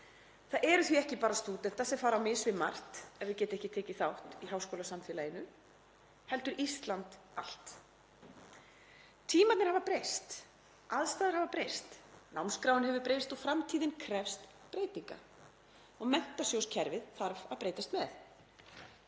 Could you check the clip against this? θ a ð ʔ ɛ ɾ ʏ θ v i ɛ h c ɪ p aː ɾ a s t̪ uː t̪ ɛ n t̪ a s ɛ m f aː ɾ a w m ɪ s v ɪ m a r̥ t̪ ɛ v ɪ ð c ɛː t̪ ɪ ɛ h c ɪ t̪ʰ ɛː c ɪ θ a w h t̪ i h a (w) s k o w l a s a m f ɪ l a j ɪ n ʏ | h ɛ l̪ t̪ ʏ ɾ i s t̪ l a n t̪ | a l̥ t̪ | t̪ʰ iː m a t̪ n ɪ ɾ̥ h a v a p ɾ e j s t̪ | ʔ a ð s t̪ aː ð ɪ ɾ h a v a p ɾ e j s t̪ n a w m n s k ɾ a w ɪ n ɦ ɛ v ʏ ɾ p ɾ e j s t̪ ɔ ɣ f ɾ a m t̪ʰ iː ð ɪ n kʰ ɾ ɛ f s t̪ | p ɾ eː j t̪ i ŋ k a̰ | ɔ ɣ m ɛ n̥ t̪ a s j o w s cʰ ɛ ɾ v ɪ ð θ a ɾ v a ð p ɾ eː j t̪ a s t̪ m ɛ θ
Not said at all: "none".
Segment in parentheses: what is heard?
w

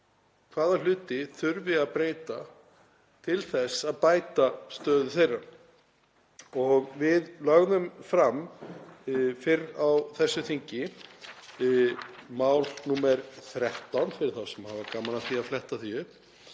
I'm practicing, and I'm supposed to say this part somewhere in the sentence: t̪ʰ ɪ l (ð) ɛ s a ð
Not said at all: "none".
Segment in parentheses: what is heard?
θ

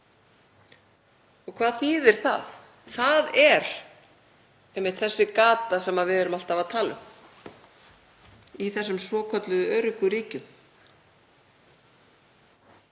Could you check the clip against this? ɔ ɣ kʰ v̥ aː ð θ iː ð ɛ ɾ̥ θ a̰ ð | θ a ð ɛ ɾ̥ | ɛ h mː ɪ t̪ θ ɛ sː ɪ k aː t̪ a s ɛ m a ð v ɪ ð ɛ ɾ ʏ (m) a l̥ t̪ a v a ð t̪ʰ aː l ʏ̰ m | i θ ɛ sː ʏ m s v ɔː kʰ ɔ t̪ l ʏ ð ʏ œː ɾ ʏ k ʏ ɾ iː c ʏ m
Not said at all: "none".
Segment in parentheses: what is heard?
m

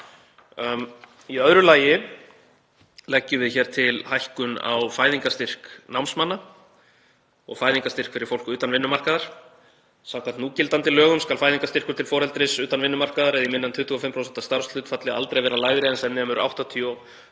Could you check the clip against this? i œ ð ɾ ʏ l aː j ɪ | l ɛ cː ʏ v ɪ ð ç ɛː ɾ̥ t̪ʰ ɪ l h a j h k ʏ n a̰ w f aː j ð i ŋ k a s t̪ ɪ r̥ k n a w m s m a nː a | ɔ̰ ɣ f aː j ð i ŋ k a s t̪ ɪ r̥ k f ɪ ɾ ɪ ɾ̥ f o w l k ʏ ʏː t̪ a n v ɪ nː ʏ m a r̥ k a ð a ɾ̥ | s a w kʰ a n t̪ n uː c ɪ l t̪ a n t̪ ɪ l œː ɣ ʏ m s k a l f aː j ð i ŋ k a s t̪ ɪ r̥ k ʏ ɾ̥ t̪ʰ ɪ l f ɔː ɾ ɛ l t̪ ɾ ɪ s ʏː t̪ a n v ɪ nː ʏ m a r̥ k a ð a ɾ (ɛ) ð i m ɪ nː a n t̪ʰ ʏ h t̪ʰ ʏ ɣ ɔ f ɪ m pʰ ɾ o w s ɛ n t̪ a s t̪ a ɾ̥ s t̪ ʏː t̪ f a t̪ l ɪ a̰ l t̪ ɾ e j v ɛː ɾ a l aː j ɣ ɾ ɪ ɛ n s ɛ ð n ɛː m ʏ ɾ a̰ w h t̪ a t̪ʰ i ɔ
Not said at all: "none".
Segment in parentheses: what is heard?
ɛ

